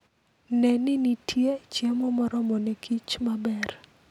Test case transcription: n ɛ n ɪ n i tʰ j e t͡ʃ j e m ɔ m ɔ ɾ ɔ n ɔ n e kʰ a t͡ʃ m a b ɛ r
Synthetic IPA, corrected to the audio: n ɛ n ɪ n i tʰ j e t͡ʃ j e m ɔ m ɔ ɾ ɔ m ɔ n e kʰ i t͡ʃ m a b ɛ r